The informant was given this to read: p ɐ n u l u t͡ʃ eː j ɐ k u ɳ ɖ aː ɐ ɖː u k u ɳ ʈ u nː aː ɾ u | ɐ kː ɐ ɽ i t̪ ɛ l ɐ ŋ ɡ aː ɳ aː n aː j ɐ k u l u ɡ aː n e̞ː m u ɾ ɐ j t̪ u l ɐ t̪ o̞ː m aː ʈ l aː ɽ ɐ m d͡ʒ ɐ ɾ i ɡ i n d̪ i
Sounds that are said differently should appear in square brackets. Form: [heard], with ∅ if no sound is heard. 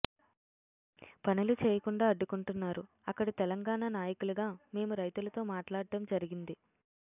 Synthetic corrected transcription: p ɐ n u l u t͡ʃ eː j ɐ k u ɳ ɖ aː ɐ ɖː u k u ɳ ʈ u nː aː ɾ u | ɐ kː ɐ ɽ i t̪ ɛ l ɐ ŋ ɡ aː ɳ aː n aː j ɐ k u l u ɡ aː [m] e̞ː m u ɾ ɐ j t̪ u l ɐ t̪ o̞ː m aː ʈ l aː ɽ ɐ m d͡ʒ ɐ ɾ i ɡ i n d̪ i